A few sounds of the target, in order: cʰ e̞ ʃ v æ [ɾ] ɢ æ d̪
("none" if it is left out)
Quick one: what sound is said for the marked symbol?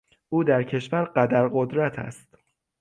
ɾ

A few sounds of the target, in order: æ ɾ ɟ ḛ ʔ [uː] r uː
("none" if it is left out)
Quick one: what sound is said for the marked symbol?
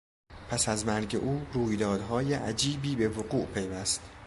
uː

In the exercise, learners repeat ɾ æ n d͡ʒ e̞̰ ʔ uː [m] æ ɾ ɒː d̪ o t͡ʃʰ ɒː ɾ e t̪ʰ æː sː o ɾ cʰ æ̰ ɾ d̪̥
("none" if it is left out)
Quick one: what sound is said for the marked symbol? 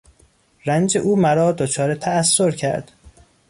m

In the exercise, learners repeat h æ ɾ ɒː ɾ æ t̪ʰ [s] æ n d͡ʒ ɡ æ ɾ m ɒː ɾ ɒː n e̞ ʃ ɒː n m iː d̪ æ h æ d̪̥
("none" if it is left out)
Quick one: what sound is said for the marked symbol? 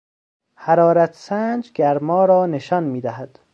s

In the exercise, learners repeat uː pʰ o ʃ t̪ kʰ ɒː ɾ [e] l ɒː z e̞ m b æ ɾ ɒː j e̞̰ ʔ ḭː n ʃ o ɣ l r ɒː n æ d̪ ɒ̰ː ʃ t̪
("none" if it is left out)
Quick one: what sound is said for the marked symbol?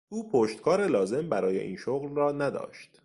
e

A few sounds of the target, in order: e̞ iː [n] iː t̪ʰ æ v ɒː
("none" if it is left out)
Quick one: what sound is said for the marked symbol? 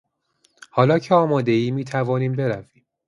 m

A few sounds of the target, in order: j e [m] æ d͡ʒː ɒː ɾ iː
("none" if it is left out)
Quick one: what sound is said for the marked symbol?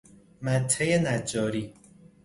n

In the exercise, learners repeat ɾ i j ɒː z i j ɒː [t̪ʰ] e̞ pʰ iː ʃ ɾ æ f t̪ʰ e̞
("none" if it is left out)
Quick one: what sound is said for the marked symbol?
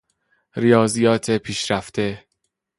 t̪ʰ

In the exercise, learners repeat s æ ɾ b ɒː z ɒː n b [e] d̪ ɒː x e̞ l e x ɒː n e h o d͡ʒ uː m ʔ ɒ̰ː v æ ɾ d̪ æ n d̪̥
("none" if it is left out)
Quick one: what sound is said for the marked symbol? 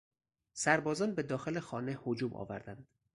e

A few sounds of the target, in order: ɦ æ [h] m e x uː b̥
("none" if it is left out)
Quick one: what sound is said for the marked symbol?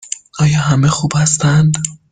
none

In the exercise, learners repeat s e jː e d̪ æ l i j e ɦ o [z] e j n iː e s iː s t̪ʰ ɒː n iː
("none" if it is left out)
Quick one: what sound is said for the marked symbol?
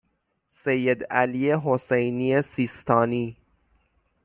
s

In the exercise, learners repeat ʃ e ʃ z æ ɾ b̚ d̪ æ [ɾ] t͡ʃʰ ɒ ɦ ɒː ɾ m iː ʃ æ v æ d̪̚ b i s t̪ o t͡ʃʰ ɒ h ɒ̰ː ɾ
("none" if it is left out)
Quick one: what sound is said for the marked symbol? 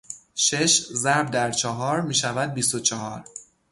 ɾ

